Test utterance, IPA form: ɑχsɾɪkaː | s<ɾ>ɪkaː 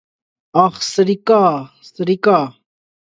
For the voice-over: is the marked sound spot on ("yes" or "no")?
yes